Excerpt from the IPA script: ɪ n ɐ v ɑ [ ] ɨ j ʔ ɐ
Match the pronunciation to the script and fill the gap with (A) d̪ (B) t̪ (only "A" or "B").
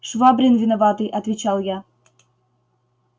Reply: B